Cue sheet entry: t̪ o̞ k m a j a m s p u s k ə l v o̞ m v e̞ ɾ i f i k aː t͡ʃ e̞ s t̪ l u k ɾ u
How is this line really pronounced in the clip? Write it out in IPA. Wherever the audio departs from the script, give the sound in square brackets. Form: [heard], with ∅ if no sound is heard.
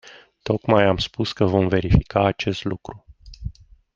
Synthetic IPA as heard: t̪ o̞ k m a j a m s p u s k ə [∅] v o̞ m v e̞ ɾ i f i k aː t͡ʃ e̞ s t̪ l u k ɾ u